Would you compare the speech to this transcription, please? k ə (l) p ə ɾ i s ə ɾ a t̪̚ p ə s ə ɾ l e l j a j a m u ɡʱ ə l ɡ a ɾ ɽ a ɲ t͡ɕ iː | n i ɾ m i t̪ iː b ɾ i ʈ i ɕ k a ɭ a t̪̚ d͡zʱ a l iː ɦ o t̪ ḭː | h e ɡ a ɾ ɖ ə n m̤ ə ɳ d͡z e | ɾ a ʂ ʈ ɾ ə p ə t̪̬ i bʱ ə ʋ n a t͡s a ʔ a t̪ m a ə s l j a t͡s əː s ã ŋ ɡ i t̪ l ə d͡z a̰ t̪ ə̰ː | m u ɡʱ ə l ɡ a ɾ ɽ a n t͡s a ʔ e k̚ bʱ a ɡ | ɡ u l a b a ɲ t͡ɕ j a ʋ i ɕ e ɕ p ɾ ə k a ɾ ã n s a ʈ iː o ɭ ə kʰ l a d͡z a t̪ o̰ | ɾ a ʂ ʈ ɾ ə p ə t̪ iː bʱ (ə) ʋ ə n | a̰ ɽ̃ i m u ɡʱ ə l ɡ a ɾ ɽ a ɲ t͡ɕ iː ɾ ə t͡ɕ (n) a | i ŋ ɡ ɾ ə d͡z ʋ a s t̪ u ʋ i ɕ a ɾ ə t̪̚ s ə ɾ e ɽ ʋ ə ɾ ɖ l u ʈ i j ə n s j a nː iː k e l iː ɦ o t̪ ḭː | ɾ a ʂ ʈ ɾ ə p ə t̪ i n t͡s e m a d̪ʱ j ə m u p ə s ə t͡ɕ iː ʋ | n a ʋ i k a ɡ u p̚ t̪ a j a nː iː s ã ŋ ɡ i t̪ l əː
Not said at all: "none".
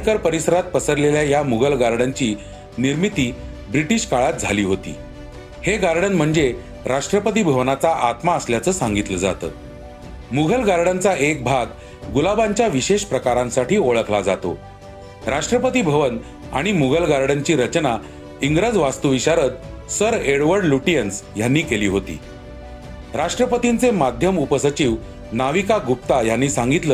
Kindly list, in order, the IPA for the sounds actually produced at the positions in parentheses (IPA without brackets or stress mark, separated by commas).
ɾ, ə, n